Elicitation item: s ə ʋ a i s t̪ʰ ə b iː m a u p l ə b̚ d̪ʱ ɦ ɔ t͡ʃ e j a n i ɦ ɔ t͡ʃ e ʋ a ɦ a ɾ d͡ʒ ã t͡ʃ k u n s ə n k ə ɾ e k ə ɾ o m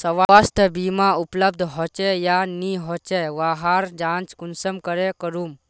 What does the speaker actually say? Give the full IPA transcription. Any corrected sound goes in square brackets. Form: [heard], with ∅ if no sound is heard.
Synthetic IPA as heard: s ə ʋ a [a] s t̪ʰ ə b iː m a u p l ə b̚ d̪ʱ ɦ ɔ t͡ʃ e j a n i ɦ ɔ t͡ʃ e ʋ a ɦ a ɾ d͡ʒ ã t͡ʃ k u n s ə [m] k ə ɾ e k ə ɾ [u] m